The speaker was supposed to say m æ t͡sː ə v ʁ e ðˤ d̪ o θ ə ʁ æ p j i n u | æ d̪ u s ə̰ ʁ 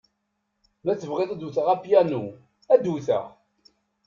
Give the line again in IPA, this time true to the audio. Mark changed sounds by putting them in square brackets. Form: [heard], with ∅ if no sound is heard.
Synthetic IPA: m æ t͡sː ə v ʁ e ðˤ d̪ [u] θ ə ʁ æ p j [æ] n u | æ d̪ u [θ] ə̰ ʁ